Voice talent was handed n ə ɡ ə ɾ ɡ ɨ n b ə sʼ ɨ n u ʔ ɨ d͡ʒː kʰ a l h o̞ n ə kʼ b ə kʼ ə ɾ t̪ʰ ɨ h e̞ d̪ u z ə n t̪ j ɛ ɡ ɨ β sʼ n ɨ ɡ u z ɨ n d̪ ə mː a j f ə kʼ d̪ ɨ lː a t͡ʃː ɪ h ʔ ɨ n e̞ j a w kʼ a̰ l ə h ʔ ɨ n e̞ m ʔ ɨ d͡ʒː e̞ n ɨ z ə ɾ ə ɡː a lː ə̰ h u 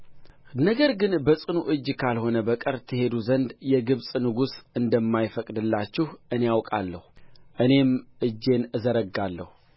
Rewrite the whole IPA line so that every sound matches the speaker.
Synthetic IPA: n ə ɡ ə ɾ ɡ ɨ n b ə sʼ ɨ n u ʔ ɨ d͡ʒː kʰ a l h o̞ n ə b ə kʼ ə ɾ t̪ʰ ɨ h e̞ d̪ u z ə n d̪ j ɛ ɡ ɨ β sʼ n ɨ ɡ u s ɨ n d̪ ə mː a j f ə kʼ d̪ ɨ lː a t͡ʃː ɪ h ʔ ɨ n e̞ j a w kʼ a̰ lː ə h ʔ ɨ n e̞ m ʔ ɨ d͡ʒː e̞ n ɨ z ə ɾ ə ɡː a lː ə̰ h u